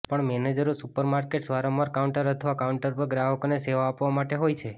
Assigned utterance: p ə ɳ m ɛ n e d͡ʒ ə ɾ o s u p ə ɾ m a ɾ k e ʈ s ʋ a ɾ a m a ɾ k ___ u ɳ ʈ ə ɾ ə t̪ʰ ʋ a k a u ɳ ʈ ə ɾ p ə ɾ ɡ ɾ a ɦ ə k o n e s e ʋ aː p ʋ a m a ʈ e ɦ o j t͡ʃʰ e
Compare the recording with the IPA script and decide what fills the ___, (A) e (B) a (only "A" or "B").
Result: B